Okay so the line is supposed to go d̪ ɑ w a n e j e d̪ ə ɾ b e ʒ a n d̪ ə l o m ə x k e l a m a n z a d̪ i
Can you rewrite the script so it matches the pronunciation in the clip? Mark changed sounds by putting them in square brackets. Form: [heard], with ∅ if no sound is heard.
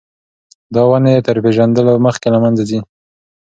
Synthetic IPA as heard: d̪ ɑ w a n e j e [t̪] ə ɾ [p] e ʒ a n d̪ ə l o m ə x k e l a m a n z a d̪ i